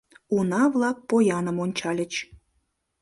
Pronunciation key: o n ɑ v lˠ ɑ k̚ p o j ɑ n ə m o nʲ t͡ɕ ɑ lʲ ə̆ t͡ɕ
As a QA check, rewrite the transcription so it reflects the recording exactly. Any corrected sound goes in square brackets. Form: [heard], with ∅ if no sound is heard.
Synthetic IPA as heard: [u] n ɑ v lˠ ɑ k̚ p o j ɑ n ə m o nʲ t͡ɕ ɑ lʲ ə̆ t͡ɕ